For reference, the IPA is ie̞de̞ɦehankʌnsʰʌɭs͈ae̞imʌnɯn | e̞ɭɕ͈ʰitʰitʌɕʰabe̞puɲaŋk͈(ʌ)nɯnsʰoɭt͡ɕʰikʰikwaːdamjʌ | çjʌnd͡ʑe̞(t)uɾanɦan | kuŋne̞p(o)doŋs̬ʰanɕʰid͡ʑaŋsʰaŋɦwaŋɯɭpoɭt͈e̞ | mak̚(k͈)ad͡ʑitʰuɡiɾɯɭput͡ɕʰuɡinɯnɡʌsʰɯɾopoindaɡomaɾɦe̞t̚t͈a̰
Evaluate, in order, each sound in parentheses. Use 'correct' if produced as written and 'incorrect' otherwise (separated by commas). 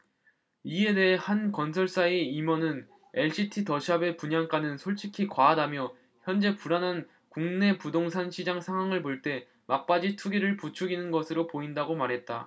incorrect, incorrect, incorrect, incorrect